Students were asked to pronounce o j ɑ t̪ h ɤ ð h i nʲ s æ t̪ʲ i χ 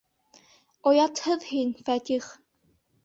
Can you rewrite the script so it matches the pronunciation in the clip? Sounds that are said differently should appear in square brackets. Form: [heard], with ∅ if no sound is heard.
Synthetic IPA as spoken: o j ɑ t̪ h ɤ ð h i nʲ [f] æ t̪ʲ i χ

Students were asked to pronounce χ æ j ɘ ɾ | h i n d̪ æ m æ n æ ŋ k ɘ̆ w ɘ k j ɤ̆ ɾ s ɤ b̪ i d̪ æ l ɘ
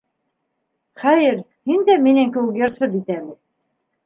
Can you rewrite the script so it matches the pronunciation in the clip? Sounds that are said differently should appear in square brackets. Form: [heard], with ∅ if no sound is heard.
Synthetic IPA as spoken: χ æ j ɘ ɾ | h i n d̪ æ m [i] n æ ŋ k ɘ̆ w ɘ k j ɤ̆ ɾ s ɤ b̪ i [t̪] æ l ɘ

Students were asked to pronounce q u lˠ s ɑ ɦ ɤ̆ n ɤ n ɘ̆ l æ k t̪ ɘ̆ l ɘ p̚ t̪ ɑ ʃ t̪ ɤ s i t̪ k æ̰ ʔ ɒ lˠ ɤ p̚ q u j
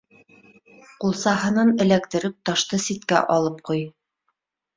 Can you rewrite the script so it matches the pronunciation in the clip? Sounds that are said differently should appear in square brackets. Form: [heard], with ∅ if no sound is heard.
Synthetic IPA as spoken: q u lˠ s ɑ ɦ ɤ̆ n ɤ n ɘ̆ l æ k t̪ ɘ̆ [ɾ] ɘ p̚ t̪ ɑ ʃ t̪ ɤ s i t̪ k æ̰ ʔ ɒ lˠ ɤ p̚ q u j

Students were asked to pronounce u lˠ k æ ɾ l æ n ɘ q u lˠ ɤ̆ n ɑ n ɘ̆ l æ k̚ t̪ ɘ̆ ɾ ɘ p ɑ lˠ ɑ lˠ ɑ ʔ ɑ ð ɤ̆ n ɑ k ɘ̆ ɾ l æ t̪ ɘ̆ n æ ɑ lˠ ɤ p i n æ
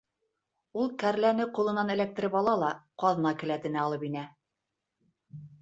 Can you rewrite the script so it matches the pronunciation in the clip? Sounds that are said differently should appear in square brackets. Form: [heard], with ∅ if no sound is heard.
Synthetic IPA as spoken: u lˠ k æ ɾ l æ n ɘ q u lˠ ɤ̆ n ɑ n ɘ̆ l æ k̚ t̪ ɘ̆ ɾ ɘ p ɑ lˠ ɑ lˠ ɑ [q] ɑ ð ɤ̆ n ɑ k ɘ̆ [∅] l æ t̪ ɘ̆ n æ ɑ lˠ ɤ p i n æ

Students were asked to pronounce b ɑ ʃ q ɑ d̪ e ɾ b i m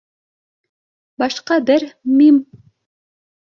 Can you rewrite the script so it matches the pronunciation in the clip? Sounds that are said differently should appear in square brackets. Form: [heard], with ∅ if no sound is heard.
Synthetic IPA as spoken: b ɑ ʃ q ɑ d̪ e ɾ [m] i m

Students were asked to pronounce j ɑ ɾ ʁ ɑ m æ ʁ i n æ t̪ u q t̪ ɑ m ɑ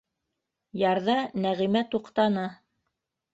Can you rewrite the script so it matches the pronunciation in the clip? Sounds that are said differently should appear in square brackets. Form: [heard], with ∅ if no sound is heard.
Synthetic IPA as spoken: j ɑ ɾ [ð] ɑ [n] æ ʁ i [m] æ t̪ u q t̪ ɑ [n] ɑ

